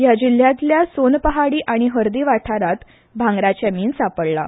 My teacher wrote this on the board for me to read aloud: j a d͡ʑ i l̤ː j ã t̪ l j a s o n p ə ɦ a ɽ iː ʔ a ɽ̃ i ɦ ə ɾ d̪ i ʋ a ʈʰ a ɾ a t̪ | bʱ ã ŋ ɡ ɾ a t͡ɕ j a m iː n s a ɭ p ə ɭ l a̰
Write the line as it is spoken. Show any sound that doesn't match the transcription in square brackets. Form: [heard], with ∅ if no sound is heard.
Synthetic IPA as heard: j a d͡ʑ i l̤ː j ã t̪ l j a s o n p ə ɦ a ɽ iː ʔ a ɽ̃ i ɦ ə ɾ d̪ i ʋ a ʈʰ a ɾ a t̪ | bʱ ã ŋ ɡ ɾ a t͡ɕ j a m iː n s a [∅] p ə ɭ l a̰